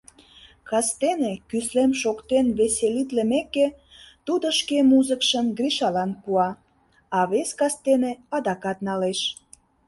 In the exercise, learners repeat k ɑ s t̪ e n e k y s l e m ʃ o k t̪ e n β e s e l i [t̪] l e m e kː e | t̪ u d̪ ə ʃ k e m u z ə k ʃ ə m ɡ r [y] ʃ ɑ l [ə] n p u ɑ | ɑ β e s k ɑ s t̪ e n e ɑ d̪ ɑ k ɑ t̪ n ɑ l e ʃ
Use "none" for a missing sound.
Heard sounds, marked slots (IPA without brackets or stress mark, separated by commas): t̪, i, ɑ